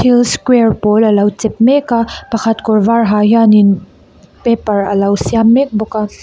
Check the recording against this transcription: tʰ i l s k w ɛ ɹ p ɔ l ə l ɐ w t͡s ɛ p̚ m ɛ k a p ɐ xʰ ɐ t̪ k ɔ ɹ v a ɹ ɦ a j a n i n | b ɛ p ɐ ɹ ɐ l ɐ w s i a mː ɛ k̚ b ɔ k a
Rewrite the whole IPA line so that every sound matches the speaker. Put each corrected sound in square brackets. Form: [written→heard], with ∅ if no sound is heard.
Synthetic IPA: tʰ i l s k w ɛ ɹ p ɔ l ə l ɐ w t͡s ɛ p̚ m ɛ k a p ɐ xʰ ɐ t̪ k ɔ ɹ v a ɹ ɦ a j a n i n | [b→p] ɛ p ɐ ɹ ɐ l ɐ w s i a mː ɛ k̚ b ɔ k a